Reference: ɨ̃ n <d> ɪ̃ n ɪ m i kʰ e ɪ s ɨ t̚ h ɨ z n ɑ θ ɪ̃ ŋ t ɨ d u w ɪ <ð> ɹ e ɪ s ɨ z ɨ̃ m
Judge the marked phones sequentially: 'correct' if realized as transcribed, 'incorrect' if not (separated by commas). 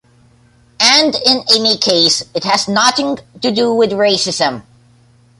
correct, correct